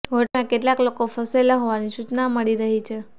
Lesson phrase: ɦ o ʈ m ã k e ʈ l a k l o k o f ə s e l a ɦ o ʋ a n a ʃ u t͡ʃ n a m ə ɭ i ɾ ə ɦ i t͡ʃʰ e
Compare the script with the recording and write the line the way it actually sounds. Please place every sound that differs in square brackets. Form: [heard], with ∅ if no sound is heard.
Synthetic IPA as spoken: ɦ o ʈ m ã k e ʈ l a k l o k o f ə s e l a ɦ o ʋ a n [i] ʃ u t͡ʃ n a m ə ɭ i ɾ ə ɦ i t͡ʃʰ e